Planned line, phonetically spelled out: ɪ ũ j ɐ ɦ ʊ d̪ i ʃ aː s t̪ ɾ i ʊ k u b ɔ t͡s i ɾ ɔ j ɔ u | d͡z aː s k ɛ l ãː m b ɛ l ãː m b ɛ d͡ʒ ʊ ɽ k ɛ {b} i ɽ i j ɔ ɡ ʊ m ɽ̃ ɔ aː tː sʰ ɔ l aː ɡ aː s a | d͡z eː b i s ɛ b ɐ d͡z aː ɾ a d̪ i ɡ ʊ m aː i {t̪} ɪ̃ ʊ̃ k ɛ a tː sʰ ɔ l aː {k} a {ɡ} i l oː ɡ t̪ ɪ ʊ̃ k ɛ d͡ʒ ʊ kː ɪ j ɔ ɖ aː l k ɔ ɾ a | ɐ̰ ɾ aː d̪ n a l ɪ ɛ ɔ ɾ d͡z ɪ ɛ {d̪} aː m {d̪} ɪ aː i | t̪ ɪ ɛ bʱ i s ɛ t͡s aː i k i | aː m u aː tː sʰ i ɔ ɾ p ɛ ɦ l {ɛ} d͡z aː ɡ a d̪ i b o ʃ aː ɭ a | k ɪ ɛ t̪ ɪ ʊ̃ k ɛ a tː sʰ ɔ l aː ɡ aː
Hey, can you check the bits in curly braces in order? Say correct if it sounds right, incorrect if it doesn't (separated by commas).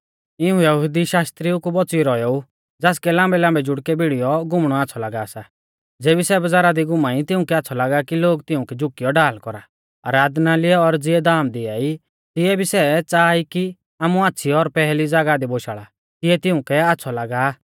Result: correct, correct, incorrect, incorrect, correct, correct, incorrect